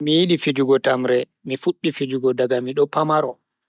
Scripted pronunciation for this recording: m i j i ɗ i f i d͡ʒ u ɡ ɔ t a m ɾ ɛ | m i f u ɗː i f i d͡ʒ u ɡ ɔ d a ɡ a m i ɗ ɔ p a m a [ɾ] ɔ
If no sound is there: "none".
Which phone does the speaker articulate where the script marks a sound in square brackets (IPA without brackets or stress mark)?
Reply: ɾ